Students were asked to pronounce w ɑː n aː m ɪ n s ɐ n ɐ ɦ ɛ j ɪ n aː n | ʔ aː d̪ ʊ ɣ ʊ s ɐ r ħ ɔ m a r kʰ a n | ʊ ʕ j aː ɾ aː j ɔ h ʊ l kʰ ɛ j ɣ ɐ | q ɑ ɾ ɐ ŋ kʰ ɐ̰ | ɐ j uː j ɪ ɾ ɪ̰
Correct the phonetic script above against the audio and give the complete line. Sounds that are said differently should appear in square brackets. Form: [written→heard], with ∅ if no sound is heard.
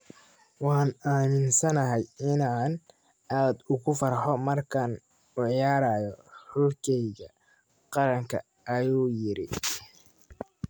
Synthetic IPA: w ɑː n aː m ɪ n s ɐ n ɐ ɦ ɛ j ɪ n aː n | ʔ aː d̪ ʊ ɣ ʊ [s→f] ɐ r ħ ɔ m [a→ɐ] r kʰ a n | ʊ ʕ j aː ɾ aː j ɔ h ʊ l kʰ ɛ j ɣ ɐ | q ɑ ɾ ɐ ŋ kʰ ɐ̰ | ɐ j uː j ɪ ɾ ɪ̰